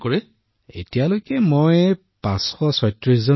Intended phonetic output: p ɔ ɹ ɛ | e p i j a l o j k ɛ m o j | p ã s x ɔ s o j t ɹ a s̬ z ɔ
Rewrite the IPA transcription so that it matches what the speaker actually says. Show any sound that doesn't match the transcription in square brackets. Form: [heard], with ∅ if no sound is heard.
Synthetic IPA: [k] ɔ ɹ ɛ | e [t] i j a l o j k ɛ m o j | p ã s x ɔ s [ɔ] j t ɹ [i] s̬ z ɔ